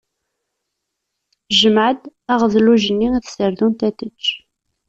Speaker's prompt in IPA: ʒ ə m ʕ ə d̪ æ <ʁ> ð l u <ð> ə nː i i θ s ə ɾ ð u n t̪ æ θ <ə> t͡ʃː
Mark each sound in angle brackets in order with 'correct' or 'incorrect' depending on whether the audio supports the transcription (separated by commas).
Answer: correct, incorrect, correct